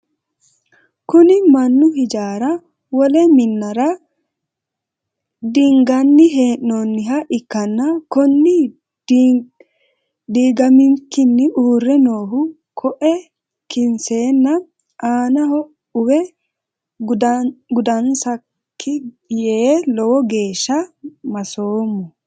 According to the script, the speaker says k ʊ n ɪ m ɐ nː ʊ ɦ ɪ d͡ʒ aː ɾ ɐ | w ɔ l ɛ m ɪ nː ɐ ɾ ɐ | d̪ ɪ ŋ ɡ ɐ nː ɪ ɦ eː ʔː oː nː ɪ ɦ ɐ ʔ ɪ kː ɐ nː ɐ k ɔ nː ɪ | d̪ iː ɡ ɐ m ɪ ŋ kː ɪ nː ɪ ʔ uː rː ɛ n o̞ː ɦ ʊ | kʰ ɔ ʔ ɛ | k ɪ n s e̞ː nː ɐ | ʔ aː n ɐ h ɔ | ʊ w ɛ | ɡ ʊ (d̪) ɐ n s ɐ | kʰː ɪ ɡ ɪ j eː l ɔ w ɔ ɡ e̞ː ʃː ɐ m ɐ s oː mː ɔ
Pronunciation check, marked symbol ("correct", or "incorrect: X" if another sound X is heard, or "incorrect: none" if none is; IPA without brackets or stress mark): correct